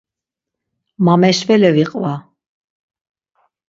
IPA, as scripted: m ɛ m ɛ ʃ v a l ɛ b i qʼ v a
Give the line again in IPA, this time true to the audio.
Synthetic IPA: m a m ɛ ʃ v ɛ l ɛ v i qʼ v a